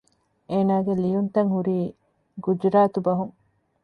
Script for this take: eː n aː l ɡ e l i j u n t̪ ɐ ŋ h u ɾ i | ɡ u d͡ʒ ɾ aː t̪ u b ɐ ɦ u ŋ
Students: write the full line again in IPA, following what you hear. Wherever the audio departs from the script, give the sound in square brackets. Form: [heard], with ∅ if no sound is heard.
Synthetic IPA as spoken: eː n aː [∅] ɡ e l i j u n t̪ ɐ ŋ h u ɾ [iː] | ɡ u d͡ʒ ɾ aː t̪ u b ɐ ɦ u ŋ